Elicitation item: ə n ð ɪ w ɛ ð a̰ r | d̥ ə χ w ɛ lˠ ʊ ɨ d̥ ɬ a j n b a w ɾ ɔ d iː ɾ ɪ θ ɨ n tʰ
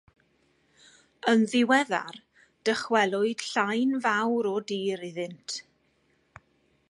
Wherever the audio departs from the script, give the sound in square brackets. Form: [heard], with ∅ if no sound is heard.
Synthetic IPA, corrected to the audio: ə n ð ɪ w ɛ ð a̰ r | d̥ ə χ w ɛ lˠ ʊ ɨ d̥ ɬ a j n [v] a w ɾ ɔ d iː ɾ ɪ [ð] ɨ n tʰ

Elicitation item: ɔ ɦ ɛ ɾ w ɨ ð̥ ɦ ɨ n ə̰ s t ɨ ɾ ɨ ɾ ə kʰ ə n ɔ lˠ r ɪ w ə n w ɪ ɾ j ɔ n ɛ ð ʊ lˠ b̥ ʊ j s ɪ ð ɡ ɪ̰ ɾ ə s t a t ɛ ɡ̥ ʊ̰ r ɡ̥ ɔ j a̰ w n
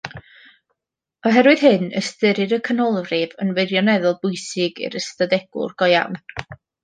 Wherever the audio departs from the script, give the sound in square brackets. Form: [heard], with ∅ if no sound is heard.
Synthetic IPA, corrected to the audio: ɔ ɦ ɛ ɾ w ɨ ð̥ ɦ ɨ n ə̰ s t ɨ ɾ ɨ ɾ ə kʰ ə n ɔ lˠ r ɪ [v] ə n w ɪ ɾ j ɔ n ɛ ð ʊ lˠ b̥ ʊ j s ɪ [∅] ɡ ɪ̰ ɾ ə s t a [d] ɛ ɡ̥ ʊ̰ r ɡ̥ ɔ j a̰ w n

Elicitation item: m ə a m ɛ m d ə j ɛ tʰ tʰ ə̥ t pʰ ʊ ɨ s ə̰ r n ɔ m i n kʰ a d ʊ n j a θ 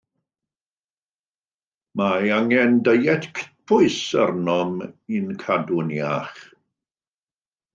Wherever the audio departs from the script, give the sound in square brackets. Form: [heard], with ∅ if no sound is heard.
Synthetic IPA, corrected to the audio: m [a] a [ŋ] ɛ [n] d ə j ɛ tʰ [kʰ] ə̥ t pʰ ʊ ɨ s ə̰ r n ɔ m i n kʰ a d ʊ n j a [χ]

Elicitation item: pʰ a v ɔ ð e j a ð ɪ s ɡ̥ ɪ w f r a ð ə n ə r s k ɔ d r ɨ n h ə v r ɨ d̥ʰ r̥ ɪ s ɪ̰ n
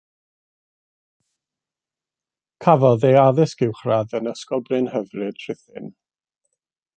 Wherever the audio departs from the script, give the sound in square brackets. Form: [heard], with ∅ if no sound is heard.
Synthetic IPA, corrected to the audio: [kʰ] a v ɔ ð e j a ð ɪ s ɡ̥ ɪ w [χ] r a ð ə n ə [∅] s k ɔ [b] r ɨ n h ə v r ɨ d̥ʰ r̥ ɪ [θ] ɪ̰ n

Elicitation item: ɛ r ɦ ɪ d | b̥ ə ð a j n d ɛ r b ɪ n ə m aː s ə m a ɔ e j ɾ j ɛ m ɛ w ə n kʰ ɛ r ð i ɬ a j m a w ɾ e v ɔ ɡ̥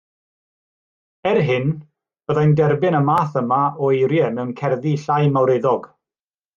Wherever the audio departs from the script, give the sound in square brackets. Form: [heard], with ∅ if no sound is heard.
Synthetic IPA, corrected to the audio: ɛ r ɦ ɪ [n] | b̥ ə ð a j n d ɛ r b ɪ n ə m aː [θ] ə m a ɔ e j ɾ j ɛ m ɛ w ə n kʰ ɛ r ð i ɬ a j m a w ɾ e [ð] ɔ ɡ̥

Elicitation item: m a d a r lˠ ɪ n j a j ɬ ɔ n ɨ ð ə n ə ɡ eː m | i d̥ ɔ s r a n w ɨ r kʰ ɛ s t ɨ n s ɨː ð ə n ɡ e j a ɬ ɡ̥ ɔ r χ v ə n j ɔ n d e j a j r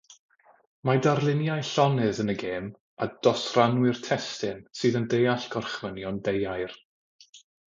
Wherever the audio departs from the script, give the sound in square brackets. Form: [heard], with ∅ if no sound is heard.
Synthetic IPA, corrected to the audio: m a d a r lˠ ɪ n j a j ɬ ɔ n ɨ ð ə n ə ɡ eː m | [a] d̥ ɔ s r a n w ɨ r [tʰ] ɛ s t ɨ n s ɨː ð ə n [d] e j a ɬ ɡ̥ ɔ r χ v ə n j ɔ n d e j a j r

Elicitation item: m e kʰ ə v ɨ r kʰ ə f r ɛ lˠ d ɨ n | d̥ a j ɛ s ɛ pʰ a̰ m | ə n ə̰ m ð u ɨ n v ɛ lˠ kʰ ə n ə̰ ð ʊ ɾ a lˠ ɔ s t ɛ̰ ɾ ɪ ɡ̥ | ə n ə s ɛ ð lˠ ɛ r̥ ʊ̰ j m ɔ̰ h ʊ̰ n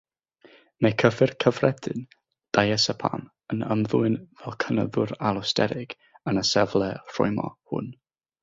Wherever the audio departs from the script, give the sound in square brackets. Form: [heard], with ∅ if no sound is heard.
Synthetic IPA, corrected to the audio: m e kʰ ə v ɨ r kʰ ə [v] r ɛ [∅] d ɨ n | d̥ a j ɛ s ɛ pʰ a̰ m | ə n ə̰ m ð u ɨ n v ɛ lˠ kʰ ə n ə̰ ð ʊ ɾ a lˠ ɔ s t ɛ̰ ɾ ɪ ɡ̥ | ə n ə s ɛ [v] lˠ ɛ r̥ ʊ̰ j m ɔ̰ h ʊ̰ n

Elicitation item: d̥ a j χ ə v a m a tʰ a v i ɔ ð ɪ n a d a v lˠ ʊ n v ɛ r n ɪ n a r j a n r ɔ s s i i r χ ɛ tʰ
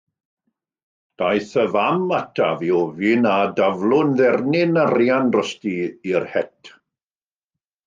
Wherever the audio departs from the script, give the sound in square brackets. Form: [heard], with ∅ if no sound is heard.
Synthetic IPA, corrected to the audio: d̥ a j [θ] ə v a m a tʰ a v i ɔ [v] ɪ n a d a v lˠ ʊ n [ð] ɛ r n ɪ n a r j a n r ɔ s [t] i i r [h] ɛ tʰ

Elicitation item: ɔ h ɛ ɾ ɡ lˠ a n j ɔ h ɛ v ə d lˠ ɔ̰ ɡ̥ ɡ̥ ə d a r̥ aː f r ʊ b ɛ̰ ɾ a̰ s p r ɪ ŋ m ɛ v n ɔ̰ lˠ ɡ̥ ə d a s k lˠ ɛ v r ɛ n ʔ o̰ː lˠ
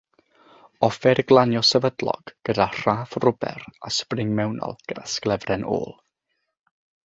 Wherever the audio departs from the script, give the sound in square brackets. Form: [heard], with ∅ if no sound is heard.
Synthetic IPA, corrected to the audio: ɔ [f] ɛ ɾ ɡ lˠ a n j ɔ [s] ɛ v ə d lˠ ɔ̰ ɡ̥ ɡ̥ ə d a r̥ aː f r ʊ b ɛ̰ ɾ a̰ s p r ɪ ŋ m ɛ [w] n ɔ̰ lˠ ɡ̥ ə d a s k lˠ ɛ v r ɛ n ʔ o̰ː lˠ

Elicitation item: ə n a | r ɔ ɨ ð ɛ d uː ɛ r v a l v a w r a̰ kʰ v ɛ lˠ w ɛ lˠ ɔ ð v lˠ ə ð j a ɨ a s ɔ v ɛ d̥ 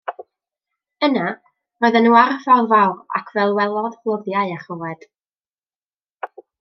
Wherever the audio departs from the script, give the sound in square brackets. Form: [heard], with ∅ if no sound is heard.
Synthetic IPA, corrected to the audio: ə n a | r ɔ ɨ ð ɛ [n] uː [a] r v a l v a w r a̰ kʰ v ɛ lˠ w ɛ lˠ ɔ ð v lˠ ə ð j a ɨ a [χ] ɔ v ɛ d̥

